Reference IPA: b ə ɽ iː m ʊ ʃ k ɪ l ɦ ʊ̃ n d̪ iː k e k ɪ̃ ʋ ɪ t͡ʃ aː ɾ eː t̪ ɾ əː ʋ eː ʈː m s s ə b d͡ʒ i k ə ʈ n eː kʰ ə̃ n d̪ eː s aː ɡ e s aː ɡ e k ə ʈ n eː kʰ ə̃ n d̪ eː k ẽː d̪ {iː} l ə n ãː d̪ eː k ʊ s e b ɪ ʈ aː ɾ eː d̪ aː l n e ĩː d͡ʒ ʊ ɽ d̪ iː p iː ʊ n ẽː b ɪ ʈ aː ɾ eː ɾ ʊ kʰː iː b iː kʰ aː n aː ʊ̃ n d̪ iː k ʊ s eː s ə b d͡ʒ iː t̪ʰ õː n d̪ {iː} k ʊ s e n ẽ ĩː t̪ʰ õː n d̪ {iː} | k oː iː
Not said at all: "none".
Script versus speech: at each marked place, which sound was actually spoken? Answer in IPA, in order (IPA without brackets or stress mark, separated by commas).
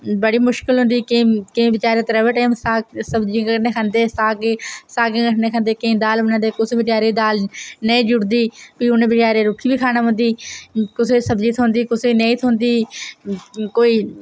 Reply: aː, iː, iː